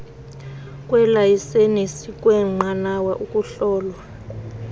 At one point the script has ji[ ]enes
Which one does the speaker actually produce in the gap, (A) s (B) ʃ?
A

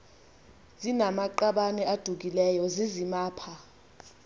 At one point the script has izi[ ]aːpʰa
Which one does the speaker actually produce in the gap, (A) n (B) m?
B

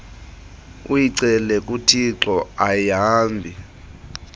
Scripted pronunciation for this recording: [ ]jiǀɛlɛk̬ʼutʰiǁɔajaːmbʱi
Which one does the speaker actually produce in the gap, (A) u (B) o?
A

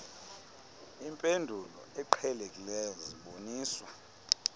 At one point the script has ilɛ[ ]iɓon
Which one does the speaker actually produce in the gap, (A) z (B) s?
A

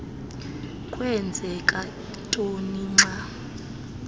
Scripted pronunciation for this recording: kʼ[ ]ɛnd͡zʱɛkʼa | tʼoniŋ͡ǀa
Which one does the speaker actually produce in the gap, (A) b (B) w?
B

